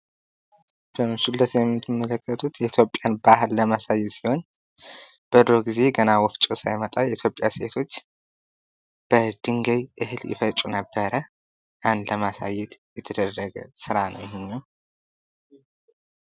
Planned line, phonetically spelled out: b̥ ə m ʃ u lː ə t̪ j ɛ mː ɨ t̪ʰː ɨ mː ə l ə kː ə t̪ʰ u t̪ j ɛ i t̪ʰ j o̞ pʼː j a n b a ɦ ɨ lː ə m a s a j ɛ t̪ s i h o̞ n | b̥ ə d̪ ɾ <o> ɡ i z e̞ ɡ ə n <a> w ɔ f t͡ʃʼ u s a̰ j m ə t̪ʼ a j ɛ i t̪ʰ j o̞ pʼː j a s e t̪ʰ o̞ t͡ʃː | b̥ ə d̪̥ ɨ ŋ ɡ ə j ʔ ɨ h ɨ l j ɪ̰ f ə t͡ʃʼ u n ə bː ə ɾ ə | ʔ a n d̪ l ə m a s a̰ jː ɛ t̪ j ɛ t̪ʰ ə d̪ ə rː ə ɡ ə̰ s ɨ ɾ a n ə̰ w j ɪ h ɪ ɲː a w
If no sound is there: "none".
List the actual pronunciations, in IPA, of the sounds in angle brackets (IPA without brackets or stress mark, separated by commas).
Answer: o, a